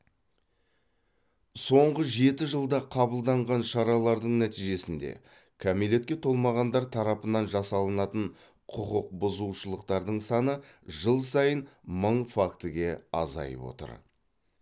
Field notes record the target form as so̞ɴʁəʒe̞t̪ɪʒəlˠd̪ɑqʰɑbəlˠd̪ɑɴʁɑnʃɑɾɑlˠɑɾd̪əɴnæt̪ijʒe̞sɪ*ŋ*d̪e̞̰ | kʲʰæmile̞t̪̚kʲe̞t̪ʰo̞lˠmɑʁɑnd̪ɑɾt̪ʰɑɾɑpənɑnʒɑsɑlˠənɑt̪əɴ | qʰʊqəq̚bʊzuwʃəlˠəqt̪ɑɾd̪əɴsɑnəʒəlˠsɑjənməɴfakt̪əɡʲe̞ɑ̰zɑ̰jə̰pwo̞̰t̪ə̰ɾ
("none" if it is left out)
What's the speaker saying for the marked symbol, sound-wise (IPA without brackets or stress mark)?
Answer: n